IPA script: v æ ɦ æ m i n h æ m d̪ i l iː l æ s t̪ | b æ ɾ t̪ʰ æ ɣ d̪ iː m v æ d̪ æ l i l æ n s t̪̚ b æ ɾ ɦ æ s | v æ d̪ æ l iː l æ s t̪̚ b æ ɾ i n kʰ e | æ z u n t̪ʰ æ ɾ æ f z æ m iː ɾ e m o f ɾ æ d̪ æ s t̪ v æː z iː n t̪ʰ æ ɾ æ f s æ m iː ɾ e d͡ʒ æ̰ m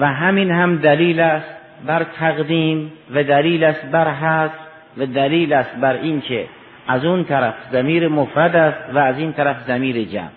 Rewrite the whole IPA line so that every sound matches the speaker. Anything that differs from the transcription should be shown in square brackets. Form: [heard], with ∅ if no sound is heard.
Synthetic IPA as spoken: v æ ɦ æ m i n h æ m d̪ [æ] l iː l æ s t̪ | b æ ɾ t̪ʰ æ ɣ d̪ iː m v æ d̪ æ l [iː] l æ [∅] s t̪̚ b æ ɾ ɦ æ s | v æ d̪ æ l iː l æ s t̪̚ b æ ɾ i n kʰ e | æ z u n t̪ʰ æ ɾ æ f z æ m iː ɾ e m o f ɾ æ d̪ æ s t̪ v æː z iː n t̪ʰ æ ɾ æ f [z] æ m iː ɾ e d͡ʒ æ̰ m